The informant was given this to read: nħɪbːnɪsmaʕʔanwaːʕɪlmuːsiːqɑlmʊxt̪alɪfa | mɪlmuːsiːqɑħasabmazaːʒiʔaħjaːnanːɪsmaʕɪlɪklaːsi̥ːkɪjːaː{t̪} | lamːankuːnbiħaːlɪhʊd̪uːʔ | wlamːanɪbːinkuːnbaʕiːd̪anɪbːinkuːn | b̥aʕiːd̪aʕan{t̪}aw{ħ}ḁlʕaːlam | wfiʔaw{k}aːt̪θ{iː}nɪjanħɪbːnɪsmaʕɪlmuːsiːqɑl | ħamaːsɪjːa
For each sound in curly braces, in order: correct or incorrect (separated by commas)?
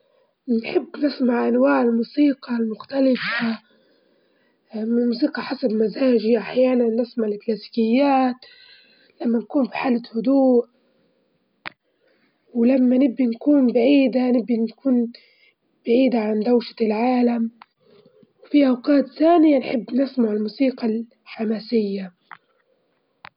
correct, incorrect, incorrect, incorrect, incorrect